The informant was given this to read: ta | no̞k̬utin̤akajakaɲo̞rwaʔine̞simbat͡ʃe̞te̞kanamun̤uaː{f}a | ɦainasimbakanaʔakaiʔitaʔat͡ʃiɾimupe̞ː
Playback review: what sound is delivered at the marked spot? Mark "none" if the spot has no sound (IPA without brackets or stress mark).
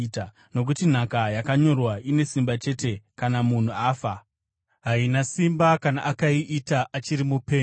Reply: f